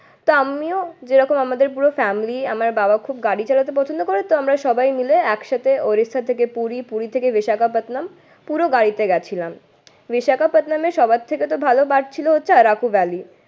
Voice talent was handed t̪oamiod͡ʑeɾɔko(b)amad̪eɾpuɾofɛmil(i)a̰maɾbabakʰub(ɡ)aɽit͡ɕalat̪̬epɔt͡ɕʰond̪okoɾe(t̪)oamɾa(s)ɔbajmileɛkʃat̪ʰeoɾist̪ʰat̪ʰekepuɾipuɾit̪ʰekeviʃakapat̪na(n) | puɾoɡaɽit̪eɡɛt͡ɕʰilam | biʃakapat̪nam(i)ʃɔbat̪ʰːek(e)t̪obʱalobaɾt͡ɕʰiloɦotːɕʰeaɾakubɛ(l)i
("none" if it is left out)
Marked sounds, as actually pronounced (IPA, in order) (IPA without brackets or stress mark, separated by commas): m, i, ɡ, t̪, ʃ, m, e, e, l